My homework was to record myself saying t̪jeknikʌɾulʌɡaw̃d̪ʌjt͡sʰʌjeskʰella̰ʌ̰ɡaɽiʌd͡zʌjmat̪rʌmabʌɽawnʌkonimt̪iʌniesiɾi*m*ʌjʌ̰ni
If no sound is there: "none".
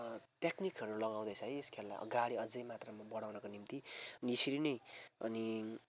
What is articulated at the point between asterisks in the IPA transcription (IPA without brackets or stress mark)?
n